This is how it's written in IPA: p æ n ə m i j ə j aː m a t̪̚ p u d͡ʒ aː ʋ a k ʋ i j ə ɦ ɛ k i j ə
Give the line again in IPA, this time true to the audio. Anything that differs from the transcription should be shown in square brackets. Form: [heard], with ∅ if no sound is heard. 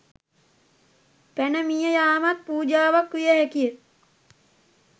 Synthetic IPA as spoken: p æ n ə m i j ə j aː m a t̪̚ p [uː] d͡ʒ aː ʋ a k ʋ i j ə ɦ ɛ k i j ə